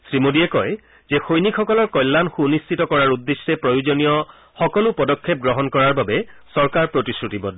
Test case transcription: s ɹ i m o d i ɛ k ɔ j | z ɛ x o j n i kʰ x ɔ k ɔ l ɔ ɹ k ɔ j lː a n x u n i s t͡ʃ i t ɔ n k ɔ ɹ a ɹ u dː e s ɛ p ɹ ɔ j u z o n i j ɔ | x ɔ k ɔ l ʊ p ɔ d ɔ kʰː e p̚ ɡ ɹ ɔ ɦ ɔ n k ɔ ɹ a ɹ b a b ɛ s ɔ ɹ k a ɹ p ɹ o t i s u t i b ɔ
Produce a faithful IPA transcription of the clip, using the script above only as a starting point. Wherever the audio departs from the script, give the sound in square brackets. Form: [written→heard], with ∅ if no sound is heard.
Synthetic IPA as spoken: s ɹ i m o d i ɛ k ɔ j | z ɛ x o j n i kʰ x ɔ k ɔ l ɔ ɹ k ɔ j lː a n x u n i s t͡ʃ i t ɔ [n→∅] k ɔ ɹ a ɹ u dː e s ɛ p ɹ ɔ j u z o n i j ɔ | x ɔ k ɔ l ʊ p ɔ d ɔ kʰː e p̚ ɡ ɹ ɔ ɦ ɔ n k ɔ ɹ a ɹ b a b ɛ s ɔ ɹ k a ɹ p ɹ o t i s u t i b ɔ